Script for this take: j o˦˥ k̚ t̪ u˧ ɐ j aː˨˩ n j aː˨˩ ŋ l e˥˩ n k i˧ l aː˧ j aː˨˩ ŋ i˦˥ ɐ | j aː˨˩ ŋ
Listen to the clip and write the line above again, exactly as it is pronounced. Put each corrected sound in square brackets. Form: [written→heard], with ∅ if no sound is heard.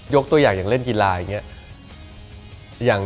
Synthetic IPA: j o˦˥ k̚ t̪ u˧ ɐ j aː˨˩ [n→ŋ] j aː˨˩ ŋ l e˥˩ n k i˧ l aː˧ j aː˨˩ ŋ i˦˥ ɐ | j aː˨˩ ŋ